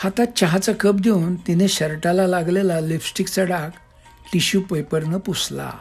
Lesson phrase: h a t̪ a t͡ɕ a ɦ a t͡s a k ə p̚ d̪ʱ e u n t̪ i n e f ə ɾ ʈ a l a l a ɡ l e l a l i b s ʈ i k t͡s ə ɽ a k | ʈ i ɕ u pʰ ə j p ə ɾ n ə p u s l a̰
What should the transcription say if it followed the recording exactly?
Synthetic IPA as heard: h a t̪ a t͡ɕ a ɦ a t͡s a k ə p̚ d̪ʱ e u n t̪ i n e ɕ ə ɾ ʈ a l a l a ɡ l e l a l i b s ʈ i k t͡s ə ɽ a k | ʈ i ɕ u p ə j p ə ɾ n ə p u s l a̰